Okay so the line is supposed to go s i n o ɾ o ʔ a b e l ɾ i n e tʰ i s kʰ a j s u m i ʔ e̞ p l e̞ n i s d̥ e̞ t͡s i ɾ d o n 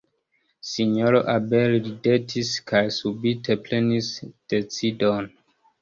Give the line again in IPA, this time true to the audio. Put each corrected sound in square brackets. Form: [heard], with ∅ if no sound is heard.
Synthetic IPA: s i [ɲ] o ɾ o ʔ a b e l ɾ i [d] e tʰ i s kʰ a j s u [b] i [t] e̞ p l e̞ n i s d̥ e̞ t͡s i [∅] d o n